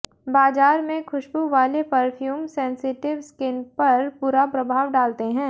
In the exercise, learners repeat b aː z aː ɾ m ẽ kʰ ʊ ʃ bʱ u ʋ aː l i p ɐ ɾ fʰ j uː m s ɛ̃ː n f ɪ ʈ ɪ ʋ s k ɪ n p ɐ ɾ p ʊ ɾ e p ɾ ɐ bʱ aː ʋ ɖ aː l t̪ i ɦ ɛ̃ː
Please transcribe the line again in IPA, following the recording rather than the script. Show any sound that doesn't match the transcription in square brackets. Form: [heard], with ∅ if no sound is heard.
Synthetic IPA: b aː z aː ɾ m ẽ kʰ ʊ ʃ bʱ u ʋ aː l [e] p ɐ ɾ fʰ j uː m s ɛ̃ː n [s] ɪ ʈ ɪ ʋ s k ɪ n p ɐ ɾ p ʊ ɾ [a] p ɾ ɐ bʱ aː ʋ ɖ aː l t̪ [e] ɦ ɛ̃ː